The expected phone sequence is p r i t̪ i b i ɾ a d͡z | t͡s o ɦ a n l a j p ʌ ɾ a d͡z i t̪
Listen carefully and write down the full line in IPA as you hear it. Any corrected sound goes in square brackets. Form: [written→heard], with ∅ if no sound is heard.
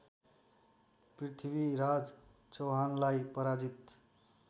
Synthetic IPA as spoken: p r i [t̪→t̪ʰ] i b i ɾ a d͡z | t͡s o ɦ a n l a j p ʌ ɾ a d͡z i t̪